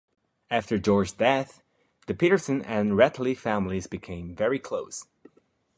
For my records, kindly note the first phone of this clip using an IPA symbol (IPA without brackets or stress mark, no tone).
æ